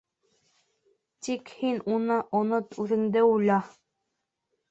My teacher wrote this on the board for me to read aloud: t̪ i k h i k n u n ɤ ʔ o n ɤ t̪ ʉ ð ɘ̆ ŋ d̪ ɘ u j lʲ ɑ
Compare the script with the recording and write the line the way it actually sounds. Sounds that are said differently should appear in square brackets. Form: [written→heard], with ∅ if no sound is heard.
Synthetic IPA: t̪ i k h i [k→∅] n u n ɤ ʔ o n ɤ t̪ ʉ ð ɘ̆ ŋ d̪ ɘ u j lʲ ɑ